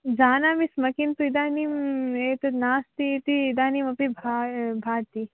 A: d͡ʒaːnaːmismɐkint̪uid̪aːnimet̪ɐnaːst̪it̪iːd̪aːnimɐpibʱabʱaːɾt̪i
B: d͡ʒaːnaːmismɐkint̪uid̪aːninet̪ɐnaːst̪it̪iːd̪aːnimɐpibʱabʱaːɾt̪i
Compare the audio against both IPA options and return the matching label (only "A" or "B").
A